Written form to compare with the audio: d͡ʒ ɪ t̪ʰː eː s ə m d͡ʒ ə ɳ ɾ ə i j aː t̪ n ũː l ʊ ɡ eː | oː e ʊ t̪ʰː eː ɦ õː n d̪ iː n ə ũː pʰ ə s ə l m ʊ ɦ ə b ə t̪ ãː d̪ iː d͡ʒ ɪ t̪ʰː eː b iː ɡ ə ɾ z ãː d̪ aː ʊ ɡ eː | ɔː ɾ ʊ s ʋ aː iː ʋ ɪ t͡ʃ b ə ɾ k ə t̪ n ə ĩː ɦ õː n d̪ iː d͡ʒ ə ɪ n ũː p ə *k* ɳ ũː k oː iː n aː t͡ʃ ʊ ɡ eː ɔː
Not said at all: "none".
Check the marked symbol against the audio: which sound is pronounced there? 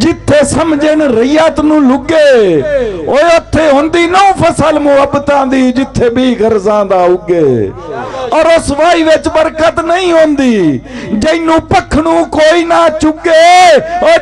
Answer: kʰ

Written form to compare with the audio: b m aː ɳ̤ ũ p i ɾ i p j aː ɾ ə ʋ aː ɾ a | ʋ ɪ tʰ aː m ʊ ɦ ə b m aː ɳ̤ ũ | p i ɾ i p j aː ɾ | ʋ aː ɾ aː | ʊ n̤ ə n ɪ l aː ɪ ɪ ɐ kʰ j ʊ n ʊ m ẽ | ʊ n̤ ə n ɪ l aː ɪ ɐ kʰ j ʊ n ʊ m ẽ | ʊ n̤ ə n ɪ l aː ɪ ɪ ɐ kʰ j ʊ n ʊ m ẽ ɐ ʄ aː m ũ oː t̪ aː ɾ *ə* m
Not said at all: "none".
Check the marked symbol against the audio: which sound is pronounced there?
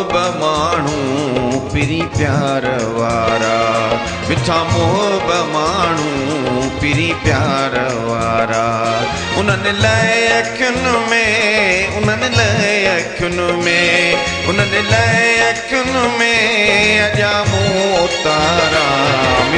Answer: a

